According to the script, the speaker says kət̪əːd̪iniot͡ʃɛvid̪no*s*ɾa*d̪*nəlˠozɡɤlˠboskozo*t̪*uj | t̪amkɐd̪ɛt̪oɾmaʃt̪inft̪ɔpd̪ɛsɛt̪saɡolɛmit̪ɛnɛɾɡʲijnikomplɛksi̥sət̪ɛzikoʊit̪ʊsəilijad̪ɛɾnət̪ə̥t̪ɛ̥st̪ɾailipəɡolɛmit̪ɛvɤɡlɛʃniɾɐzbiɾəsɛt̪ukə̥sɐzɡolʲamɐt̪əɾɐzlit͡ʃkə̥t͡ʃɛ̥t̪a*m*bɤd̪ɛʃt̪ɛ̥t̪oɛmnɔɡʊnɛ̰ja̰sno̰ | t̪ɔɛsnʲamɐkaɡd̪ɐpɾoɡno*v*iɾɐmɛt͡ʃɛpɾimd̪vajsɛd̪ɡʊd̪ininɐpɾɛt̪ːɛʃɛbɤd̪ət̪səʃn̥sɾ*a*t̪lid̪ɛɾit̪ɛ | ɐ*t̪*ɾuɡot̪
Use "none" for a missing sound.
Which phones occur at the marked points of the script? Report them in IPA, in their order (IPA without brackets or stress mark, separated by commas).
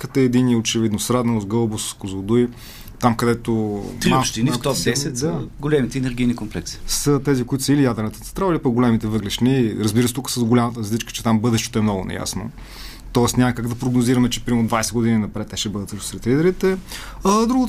s, d̪, d̪, m, z, ɛ, d̪